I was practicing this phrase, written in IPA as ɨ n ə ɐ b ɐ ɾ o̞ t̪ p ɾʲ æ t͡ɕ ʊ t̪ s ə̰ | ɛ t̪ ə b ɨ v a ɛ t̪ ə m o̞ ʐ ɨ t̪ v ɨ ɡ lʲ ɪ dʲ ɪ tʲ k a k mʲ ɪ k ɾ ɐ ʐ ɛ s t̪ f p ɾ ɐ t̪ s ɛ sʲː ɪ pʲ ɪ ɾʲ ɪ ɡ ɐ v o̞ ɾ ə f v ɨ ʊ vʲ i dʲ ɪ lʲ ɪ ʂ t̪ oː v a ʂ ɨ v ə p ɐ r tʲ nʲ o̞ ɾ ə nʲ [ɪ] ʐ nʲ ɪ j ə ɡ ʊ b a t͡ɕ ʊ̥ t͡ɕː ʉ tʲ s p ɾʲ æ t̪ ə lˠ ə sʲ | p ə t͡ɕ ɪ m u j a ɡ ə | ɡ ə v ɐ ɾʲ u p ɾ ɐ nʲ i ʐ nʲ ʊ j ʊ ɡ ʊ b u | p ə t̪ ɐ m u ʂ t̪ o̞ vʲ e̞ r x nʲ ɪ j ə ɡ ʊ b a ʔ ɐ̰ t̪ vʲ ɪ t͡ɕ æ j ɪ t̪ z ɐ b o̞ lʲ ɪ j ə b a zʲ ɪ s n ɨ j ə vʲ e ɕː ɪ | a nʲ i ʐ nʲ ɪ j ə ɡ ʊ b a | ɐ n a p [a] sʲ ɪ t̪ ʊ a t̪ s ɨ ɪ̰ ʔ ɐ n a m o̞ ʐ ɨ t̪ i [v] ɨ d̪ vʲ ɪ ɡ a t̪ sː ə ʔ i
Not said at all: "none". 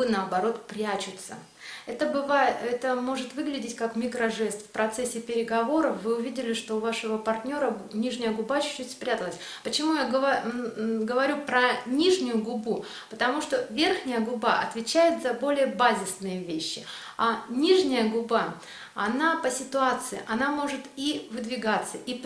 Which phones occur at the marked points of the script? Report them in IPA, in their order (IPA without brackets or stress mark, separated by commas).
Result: i, ə, v